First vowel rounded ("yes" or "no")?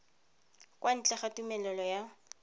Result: no